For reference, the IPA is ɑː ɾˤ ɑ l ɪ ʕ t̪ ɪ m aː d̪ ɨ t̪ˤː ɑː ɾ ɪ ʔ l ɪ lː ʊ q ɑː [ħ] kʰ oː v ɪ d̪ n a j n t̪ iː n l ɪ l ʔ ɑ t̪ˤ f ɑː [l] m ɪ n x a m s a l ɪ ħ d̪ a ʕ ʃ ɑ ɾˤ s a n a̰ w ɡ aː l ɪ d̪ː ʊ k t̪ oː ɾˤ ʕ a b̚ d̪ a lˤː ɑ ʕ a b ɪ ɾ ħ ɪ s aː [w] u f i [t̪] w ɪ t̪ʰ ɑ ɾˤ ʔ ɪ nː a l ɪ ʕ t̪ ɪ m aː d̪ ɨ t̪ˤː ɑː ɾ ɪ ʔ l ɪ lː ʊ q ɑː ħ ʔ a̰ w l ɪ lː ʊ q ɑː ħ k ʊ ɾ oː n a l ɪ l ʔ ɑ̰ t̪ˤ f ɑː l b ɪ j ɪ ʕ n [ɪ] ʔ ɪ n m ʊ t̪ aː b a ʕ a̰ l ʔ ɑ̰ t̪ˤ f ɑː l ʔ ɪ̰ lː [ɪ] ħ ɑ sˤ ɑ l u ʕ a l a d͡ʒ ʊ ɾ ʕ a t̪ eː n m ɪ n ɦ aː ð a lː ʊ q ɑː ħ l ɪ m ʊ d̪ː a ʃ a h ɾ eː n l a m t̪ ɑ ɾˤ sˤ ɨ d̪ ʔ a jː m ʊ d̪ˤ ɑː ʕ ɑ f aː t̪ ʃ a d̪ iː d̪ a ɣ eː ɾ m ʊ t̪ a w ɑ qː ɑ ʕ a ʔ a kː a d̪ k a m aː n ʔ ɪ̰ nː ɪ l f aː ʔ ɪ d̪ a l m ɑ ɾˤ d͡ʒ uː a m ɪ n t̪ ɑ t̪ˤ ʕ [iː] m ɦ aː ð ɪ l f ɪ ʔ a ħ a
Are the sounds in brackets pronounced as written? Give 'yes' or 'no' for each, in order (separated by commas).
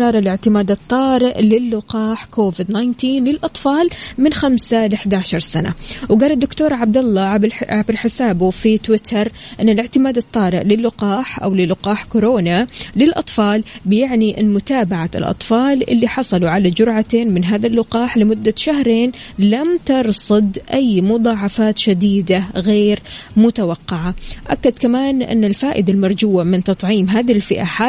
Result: yes, yes, no, yes, no, no, yes